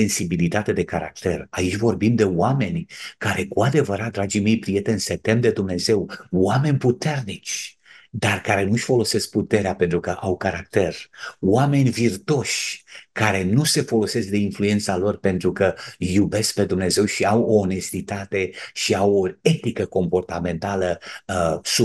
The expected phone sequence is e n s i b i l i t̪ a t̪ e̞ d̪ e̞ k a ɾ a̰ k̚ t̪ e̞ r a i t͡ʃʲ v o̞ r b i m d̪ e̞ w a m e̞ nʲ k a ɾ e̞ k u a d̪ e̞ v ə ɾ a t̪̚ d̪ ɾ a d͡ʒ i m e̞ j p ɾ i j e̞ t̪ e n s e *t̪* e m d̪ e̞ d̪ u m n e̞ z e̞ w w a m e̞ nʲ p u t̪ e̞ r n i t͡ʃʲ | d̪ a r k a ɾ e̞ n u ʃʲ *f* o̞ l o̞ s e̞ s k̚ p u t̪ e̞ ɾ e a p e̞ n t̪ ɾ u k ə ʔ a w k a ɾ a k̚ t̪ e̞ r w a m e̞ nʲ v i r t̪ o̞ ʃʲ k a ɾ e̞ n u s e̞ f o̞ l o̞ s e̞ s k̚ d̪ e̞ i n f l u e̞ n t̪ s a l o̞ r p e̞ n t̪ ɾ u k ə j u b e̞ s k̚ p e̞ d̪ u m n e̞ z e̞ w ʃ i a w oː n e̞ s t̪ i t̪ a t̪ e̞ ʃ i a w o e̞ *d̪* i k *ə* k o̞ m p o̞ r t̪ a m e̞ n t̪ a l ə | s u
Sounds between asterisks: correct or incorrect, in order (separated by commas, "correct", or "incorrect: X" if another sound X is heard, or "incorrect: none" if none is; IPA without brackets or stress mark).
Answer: correct, correct, incorrect: t̪, correct